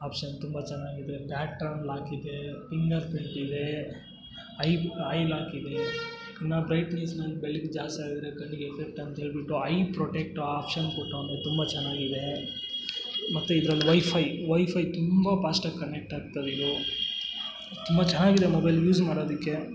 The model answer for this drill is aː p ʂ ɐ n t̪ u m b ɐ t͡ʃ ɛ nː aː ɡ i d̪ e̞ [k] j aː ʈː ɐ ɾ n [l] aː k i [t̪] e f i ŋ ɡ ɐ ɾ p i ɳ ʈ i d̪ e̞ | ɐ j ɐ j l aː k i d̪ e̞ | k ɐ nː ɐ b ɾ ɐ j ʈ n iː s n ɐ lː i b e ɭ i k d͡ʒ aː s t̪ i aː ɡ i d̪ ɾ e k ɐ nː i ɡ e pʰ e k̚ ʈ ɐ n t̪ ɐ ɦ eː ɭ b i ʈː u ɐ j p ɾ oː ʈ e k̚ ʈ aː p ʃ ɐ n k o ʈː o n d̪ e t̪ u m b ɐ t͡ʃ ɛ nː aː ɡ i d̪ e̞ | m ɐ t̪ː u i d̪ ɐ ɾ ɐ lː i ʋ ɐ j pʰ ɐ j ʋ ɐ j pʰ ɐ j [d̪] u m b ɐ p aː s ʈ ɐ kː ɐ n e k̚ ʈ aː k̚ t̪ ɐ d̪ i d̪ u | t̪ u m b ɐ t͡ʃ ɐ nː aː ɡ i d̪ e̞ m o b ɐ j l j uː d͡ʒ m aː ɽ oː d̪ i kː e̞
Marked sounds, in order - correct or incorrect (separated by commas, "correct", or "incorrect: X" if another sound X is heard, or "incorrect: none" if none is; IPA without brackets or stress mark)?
incorrect: p, correct, incorrect: d̪, incorrect: t̪